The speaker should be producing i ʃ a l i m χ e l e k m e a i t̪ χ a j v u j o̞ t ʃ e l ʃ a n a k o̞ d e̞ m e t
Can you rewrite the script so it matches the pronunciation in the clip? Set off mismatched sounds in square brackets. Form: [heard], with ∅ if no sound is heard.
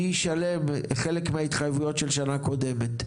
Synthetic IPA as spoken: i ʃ a l [e] m χ e l e k m e a i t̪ χ a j v u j o̞ t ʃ e l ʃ a n a k o̞ d e̞ m e t